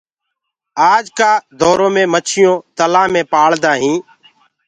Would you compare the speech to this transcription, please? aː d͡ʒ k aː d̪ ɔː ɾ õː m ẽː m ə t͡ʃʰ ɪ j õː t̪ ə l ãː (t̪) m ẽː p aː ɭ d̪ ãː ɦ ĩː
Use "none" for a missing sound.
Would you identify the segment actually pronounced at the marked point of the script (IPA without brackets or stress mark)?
none